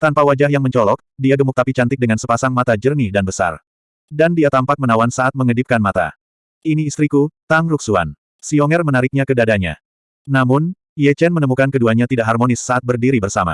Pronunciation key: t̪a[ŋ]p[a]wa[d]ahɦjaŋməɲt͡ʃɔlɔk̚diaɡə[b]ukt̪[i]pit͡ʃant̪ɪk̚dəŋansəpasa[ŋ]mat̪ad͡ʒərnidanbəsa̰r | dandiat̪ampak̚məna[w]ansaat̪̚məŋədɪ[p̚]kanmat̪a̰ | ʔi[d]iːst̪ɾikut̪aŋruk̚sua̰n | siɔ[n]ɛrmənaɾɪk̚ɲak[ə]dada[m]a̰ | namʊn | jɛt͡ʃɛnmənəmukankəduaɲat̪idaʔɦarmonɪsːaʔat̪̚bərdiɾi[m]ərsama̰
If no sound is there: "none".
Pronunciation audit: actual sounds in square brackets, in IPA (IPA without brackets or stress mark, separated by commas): n, a, d͡ʒ, m, a, ŋ, w, p̚, n, ŋ, ə, ɲ, b